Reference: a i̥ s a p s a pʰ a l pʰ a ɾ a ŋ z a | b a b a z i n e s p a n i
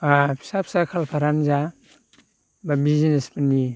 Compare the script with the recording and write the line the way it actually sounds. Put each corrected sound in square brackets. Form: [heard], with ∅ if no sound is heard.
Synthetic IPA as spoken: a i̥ s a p s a [kʰ] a l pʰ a ɾ a [n] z a | b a b [i] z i n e s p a n i